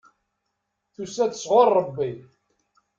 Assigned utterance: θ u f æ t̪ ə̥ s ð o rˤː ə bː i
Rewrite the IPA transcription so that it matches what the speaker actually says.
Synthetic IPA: θ u s æ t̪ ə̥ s ʁ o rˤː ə bː i